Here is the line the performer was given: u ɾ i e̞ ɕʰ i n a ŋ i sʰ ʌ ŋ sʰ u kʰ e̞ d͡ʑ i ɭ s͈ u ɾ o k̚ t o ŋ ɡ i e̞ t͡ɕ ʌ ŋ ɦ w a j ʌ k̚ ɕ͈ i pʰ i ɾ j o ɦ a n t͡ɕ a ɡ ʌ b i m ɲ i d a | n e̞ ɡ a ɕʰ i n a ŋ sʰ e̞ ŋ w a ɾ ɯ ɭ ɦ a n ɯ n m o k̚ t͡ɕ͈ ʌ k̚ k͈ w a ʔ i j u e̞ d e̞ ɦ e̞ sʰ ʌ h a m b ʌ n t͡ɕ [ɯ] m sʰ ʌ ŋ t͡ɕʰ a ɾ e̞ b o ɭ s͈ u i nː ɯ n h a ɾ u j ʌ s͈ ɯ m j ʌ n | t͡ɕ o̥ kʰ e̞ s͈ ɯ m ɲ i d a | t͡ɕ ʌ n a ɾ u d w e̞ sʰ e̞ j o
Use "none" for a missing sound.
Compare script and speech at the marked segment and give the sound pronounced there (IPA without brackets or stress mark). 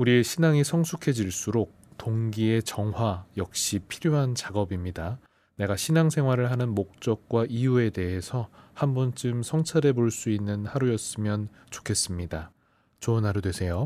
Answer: ɯ